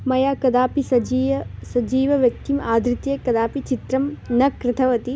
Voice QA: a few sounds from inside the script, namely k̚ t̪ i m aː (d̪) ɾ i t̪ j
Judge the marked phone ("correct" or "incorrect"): correct